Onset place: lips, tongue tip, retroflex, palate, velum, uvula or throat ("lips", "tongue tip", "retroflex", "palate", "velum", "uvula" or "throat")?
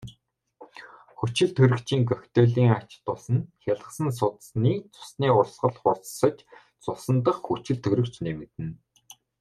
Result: velum